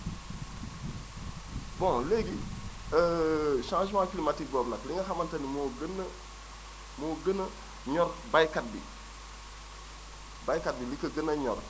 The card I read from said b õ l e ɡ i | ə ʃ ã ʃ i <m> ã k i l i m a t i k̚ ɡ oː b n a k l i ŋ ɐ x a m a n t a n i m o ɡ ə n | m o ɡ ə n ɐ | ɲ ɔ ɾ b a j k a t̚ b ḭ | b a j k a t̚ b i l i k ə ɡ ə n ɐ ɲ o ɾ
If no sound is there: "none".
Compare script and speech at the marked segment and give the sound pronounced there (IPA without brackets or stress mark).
m